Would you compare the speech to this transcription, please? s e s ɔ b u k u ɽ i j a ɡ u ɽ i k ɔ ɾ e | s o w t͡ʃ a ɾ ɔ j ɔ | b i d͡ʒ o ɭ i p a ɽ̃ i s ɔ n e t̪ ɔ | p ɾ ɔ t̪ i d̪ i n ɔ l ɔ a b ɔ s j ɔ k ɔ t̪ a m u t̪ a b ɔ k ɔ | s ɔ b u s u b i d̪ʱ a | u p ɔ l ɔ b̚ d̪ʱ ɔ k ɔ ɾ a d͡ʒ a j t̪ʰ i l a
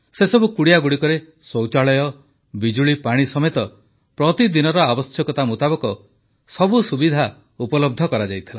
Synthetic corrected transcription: s e s ɔ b u k u ɽ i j a ɡ u ɽ i k ɔ ɾ e | s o w t͡ʃ a ɭ ɔ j ɔ | b i d͡ʒ u ɭ i p a ɽ̃ i s ɔ m e t̪ ɔ | p ɾ ɔ t̪ i d̪ i n ɔ ɾ ɔ a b ɔ s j ɔ k ɔ t̪ a m u t̪ a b ɔ k ɔ | s ɔ b u s u b i d̪ʱ a | u p ɔ l ɔ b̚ d̪ʱ ɔ k ɔ ɾ a d͡ʒ a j t̪ʰ i l a

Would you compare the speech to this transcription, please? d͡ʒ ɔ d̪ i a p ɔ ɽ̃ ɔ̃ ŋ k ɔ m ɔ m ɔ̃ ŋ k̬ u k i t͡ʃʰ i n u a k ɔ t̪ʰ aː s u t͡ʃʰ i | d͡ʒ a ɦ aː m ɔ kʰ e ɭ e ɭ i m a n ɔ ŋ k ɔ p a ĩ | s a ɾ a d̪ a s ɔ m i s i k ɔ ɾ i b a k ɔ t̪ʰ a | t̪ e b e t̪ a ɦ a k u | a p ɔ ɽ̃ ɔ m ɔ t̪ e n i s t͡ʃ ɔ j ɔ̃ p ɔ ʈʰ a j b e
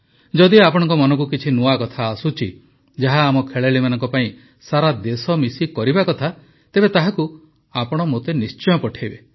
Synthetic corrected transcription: d͡ʒ ɔ d̪ i a p ɔ ɽ̃ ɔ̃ ŋ k ɔ m ɔ n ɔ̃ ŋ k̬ u k i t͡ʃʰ i n u a k ɔ t̪ʰ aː s u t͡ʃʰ i | d͡ʒ a ɦ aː m ɔ kʰ e ɭ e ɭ i m a n ɔ ŋ k ɔ p a ĩ | s a ɾ a d̪ e s ɔ m i s i k ɔ ɾ i b a k ɔ t̪ʰ a | t̪ e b e t̪ a ɦ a k u | a p ɔ ɽ̃ ɔ m o t̪ e n i s t͡ʃ ɔ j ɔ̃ p ɔ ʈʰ a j b e

